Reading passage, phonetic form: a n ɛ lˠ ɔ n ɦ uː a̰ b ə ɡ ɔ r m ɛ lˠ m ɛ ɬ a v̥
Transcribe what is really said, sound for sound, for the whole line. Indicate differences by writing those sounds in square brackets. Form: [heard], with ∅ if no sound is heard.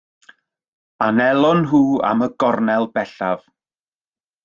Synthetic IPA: a n ɛ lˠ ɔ n ɦ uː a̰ [m] ə ɡ ɔ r [n] ɛ lˠ [b] ɛ ɬ a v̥